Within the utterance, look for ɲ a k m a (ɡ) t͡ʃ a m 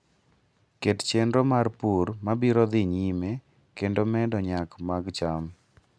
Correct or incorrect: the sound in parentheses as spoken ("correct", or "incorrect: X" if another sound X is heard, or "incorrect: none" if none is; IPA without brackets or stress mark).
correct